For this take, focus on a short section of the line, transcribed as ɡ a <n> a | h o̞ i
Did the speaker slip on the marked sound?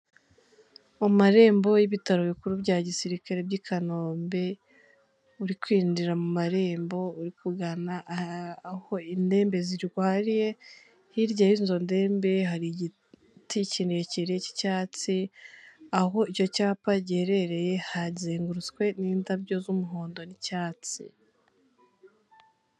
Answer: no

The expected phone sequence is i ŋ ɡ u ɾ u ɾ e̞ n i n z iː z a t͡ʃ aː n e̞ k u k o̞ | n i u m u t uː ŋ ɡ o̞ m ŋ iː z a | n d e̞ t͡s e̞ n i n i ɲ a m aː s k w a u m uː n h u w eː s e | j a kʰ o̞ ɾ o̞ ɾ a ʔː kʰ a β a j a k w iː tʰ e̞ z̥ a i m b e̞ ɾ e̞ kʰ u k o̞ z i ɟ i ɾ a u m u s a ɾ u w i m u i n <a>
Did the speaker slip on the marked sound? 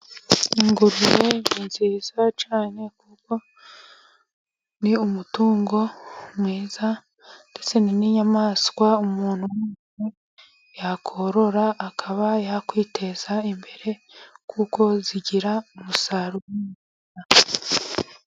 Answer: no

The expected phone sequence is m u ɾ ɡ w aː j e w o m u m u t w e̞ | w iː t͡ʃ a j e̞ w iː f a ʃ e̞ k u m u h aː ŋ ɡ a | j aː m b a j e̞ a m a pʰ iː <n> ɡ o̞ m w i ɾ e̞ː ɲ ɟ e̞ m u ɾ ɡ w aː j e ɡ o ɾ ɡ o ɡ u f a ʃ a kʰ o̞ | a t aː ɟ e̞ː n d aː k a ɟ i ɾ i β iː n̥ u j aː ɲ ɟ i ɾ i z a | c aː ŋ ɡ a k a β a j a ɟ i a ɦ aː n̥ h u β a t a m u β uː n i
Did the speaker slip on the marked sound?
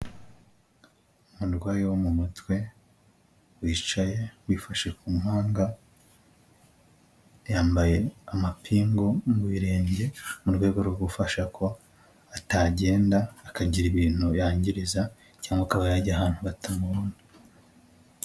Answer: yes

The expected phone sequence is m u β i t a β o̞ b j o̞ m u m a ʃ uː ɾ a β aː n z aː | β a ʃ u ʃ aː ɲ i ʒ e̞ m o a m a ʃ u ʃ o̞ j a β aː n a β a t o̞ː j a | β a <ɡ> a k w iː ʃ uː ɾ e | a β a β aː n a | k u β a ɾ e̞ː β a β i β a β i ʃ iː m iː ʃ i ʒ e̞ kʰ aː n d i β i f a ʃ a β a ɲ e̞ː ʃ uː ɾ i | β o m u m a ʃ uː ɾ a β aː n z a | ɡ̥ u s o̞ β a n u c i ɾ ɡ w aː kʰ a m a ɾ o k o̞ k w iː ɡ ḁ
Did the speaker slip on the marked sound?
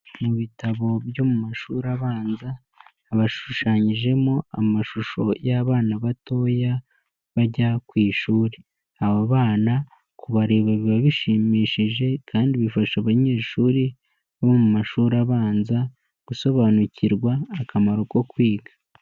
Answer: yes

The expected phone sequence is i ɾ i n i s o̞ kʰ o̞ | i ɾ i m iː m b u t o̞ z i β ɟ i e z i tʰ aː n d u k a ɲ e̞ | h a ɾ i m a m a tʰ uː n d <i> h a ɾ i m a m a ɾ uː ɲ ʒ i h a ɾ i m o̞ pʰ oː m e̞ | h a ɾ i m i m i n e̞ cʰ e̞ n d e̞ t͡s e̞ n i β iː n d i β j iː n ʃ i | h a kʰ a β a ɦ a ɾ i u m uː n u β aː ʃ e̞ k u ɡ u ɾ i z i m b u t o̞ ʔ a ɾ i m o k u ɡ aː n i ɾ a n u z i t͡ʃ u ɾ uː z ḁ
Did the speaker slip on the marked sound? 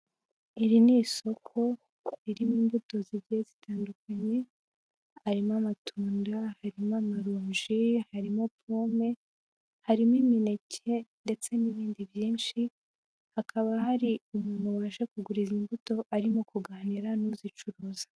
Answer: yes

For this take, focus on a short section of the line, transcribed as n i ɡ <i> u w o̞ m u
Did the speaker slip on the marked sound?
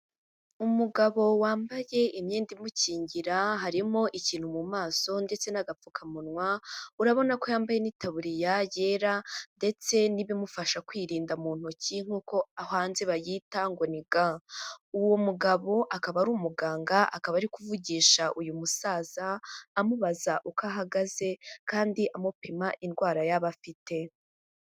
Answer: yes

